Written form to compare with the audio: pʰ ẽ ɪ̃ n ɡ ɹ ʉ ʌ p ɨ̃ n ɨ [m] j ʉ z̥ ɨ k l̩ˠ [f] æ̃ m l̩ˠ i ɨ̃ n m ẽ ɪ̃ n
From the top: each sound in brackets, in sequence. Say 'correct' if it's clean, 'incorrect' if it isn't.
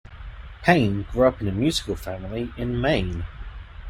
correct, correct

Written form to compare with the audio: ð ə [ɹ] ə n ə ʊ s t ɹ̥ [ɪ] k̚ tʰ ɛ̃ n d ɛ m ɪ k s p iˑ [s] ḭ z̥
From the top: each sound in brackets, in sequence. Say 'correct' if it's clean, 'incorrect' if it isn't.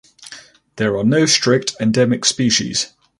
correct, correct, incorrect: ʃ

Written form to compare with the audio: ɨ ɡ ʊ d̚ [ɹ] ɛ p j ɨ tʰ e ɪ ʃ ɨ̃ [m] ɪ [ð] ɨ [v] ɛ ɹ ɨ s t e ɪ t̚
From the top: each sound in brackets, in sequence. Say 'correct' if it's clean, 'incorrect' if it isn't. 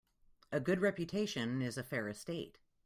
correct, incorrect: n, incorrect: z, incorrect: f

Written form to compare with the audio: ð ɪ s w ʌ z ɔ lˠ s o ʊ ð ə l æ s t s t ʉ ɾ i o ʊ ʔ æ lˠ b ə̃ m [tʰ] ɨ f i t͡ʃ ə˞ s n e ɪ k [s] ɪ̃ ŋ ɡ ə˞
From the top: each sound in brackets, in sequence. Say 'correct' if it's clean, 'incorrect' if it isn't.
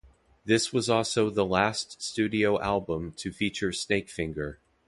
correct, incorrect: f

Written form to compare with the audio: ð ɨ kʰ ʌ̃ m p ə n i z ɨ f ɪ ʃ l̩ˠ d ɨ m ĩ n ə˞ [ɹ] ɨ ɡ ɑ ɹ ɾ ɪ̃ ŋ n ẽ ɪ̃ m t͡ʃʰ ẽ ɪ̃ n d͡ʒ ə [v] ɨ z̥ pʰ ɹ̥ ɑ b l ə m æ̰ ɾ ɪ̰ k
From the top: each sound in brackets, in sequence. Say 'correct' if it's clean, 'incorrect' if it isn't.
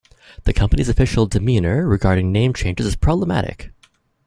correct, incorrect: z

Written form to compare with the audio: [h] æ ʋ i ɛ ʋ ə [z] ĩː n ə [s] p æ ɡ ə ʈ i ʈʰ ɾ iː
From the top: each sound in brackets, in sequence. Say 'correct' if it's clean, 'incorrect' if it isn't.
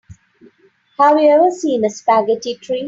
correct, incorrect: s, correct

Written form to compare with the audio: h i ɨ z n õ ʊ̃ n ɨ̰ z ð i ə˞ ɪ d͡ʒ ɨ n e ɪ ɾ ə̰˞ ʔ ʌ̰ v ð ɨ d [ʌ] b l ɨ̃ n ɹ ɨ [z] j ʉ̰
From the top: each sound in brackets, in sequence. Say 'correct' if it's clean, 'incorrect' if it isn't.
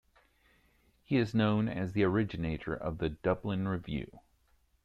correct, incorrect: v

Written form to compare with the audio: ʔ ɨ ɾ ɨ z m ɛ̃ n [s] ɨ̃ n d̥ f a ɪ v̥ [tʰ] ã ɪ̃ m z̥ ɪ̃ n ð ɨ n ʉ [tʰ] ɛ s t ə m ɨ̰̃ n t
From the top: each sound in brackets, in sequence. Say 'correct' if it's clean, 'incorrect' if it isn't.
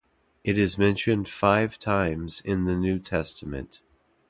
incorrect: ʃ, correct, correct

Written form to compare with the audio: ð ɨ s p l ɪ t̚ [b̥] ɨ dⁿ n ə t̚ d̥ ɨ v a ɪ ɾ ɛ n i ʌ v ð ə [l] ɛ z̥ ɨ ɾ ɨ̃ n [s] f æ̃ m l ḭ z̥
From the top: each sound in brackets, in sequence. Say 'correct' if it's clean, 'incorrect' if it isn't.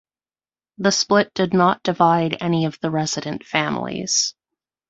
incorrect: d̥, incorrect: ɹ, incorrect: t

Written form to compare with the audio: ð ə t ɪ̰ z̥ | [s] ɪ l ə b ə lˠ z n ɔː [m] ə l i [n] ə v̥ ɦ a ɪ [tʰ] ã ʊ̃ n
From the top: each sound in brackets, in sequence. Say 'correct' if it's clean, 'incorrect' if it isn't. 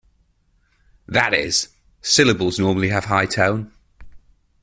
correct, correct, incorrect: none, correct

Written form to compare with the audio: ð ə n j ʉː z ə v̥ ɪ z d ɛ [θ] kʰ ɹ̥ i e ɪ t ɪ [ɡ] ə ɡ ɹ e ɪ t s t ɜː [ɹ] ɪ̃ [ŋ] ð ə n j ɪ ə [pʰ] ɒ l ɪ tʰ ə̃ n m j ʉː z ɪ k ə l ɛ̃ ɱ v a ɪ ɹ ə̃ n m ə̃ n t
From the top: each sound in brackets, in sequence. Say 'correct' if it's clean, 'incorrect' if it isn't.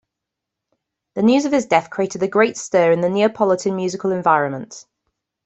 correct, incorrect: d, correct, incorrect: n, correct

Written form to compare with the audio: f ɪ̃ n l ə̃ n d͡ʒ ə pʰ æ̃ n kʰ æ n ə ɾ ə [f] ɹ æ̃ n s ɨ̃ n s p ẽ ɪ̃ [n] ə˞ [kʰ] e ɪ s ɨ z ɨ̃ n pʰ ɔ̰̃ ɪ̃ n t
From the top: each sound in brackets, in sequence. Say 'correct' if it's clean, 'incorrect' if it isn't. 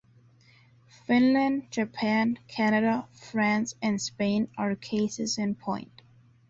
correct, correct, correct

